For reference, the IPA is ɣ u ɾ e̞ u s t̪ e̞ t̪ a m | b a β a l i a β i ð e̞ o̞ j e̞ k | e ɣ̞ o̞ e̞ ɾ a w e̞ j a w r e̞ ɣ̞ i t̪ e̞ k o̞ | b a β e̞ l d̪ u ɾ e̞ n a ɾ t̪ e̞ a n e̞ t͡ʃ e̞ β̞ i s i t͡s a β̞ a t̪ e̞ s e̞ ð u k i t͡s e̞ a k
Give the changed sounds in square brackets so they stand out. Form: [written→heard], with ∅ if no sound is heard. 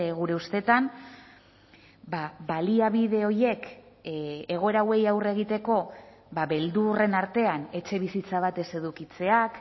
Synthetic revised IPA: ɣ u ɾ e̞ u s t̪ e̞ t̪ a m | b a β a l i a β i ð e̞ o̞ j e̞ k | e ɣ̞ o̞ e̞ ɾ a w e̞ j a w r e̞ ɣ̞ i t̪ e̞ k o̞ | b a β e̞ l d̪ u [ɾ→r] e̞ n a ɾ t̪ e̞ a n e̞ t͡ʃ e̞ β̞ i s i t͡s a β̞ a t̪ e̞ s e̞ ð u k i t͡s e̞ a k